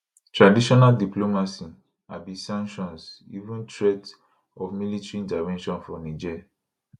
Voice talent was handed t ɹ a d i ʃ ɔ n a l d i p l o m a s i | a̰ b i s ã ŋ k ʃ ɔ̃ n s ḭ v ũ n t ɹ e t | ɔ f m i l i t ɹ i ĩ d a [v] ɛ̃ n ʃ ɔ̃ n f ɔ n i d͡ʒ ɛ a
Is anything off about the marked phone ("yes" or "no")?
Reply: no